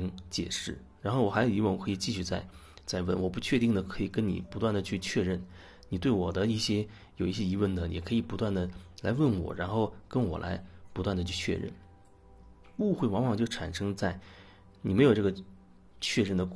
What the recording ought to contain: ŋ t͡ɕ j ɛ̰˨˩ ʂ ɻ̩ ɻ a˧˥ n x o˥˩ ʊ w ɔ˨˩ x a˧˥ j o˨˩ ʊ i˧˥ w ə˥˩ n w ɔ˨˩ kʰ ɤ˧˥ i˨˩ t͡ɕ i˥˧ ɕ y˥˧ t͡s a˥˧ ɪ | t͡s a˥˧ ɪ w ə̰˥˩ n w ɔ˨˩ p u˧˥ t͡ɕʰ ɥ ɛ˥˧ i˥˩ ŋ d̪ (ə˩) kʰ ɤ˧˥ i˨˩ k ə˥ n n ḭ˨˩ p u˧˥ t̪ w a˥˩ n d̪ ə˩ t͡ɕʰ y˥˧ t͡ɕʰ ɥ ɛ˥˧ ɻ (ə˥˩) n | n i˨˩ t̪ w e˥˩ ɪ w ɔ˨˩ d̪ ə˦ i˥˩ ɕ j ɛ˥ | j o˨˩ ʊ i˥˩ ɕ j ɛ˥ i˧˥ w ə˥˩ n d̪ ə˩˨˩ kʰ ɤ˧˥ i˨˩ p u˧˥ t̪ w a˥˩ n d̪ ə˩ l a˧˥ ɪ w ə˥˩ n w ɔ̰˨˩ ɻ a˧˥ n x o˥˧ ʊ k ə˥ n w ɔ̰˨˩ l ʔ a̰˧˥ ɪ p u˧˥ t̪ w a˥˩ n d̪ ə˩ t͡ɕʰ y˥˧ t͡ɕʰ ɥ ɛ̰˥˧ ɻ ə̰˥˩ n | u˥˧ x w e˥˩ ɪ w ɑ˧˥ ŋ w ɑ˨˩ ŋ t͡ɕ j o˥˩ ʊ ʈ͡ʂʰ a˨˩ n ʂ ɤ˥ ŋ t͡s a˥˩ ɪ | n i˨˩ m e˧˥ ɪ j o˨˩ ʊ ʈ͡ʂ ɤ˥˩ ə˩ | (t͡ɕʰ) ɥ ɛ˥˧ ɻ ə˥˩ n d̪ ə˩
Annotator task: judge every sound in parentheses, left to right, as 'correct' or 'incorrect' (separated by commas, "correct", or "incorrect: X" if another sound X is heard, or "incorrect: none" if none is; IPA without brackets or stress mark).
correct, correct, correct